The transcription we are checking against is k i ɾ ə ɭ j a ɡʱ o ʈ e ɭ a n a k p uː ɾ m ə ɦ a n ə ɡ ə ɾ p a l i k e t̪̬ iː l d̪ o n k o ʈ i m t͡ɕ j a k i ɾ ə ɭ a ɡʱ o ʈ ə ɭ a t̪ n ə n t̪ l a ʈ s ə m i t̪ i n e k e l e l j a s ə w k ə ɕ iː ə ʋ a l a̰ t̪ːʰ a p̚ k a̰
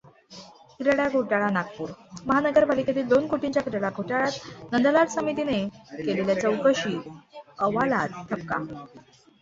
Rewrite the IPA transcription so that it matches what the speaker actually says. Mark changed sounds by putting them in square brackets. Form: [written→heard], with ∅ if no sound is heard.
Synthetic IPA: k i ɾ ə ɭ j a ɡʱ o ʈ [e→a] ɭ a n a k p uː ɾ m ə ɦ a n ə ɡ ə ɾ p a l i k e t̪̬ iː l d̪ o n k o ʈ i [m→ɲ] t͡ɕ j a k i ɾ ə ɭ a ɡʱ o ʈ [ə→a] ɭ a t̪ n ə n [t̪→d̪] l a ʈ s ə m i t̪ i n e k e l e l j a [s→t͡s] ə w k ə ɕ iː ə ʋ a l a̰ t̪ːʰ [a→ə] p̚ k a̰